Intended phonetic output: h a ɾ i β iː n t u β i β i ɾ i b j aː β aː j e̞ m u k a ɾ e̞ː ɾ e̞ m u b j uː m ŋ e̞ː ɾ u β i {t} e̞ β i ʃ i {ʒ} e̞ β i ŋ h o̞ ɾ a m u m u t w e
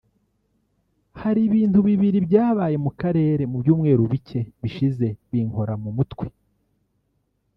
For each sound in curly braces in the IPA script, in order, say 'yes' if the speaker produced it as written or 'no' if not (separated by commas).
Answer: no, no